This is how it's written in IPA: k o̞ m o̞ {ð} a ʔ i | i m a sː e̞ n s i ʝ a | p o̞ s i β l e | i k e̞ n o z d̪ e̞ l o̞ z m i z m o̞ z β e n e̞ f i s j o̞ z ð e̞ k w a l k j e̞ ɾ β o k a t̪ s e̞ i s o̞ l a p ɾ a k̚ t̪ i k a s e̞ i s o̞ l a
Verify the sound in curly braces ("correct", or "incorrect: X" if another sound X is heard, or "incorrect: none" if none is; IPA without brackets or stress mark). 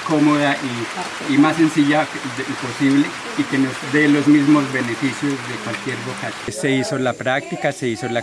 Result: correct